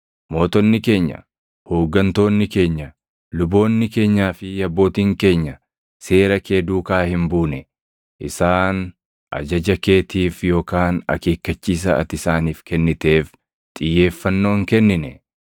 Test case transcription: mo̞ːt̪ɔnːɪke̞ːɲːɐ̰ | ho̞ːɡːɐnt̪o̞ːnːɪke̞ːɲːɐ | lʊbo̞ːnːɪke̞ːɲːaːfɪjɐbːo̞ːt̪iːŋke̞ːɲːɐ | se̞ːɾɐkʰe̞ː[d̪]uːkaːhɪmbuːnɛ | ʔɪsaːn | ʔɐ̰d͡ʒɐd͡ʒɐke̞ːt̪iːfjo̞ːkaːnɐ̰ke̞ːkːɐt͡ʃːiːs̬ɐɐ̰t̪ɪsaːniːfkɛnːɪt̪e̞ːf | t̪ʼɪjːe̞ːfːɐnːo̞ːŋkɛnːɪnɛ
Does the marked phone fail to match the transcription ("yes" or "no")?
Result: no